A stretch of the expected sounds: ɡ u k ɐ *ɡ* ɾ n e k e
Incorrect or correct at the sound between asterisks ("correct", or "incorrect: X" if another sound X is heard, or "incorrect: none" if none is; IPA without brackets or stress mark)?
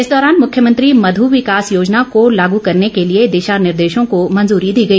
incorrect: none